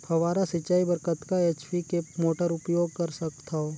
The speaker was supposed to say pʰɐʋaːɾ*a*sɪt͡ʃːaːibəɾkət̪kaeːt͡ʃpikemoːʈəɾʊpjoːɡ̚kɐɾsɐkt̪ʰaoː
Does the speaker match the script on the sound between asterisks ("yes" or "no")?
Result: yes